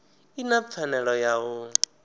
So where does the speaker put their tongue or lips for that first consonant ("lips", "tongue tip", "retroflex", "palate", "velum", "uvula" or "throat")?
tongue tip